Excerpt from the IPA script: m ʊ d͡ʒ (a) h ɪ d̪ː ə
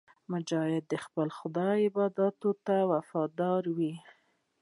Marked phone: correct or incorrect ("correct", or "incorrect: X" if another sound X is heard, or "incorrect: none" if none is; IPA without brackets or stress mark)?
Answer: incorrect: ɑ